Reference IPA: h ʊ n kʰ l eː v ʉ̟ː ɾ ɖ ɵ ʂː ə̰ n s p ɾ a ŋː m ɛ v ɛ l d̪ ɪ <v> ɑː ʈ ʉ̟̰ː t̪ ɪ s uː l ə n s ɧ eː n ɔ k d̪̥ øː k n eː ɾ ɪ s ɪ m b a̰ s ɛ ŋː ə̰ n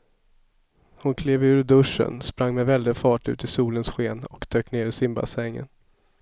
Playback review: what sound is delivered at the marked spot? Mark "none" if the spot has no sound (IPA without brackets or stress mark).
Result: f